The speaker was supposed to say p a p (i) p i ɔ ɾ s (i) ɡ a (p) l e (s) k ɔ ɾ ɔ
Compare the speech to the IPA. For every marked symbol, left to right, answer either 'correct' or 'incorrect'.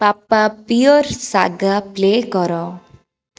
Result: incorrect, incorrect, correct, incorrect

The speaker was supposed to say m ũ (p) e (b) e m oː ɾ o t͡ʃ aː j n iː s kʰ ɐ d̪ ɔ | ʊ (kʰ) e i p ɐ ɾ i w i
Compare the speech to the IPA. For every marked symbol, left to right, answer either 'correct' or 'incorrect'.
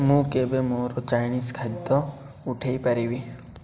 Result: incorrect, correct, incorrect

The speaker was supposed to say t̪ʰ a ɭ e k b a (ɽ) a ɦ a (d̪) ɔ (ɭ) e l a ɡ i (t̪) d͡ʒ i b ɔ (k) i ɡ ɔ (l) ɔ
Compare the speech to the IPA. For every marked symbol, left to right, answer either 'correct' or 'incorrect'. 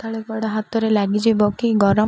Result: correct, incorrect, incorrect, incorrect, correct, incorrect

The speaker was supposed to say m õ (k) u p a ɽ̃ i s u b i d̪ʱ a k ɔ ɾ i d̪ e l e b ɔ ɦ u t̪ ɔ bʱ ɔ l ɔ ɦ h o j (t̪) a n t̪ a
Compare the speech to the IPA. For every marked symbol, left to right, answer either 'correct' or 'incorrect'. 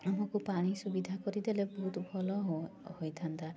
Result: correct, incorrect

